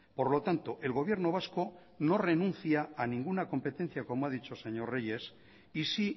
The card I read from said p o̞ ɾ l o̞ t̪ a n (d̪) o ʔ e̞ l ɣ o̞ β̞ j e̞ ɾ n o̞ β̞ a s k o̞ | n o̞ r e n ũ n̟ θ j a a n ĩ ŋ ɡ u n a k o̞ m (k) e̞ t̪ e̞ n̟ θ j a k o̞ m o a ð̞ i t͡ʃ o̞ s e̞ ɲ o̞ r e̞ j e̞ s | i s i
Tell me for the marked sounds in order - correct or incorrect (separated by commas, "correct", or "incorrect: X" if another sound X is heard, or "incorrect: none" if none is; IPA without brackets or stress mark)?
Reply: incorrect: t̪, incorrect: p